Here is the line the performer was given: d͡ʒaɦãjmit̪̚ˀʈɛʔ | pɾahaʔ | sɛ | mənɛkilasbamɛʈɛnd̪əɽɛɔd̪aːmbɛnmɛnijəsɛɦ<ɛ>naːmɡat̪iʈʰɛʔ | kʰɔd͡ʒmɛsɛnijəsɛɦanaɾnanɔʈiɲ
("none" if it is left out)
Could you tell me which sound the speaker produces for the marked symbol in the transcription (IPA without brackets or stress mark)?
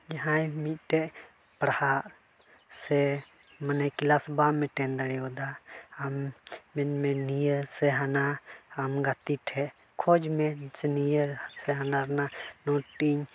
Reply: a